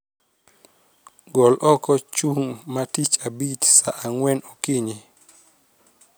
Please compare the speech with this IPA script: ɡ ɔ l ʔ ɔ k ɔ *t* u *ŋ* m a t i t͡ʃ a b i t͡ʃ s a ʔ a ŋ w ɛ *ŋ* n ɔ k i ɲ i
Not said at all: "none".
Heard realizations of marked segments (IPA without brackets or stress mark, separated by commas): t͡ʃ, ŋ, none